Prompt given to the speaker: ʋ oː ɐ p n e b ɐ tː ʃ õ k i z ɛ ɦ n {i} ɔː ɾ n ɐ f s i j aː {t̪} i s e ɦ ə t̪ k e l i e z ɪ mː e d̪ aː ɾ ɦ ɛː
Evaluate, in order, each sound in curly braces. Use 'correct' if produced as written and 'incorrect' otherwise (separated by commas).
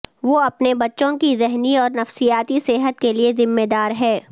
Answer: correct, correct